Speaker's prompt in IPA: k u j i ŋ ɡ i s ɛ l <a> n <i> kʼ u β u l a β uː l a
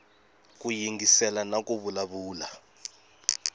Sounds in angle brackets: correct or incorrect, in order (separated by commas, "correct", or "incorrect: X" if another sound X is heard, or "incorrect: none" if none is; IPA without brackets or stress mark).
correct, incorrect: a